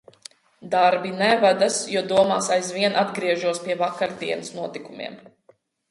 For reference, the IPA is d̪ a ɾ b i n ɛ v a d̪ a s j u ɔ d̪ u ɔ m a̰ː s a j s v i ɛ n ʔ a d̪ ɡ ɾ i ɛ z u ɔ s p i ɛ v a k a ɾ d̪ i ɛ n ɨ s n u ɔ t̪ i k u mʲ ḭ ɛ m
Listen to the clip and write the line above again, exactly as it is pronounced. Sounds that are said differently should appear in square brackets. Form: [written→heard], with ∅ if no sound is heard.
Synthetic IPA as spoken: d̪ a ɾ b i n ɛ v a d̪ a s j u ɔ d̪ u ɔ m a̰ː s a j [s→z] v i ɛ n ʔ a d̪ ɡ ɾ i ɛ [z→ʒ] u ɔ s p i ɛ v a k a ɾ d̪ i ɛ n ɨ s n u ɔ t̪ i k u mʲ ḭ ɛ m